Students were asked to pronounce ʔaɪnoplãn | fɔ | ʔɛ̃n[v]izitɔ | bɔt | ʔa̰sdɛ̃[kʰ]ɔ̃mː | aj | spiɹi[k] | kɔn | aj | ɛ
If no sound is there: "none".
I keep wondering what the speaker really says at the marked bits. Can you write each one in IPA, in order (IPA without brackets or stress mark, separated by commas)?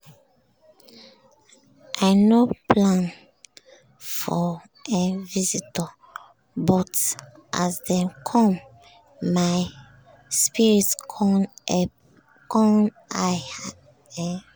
v, kʰ, t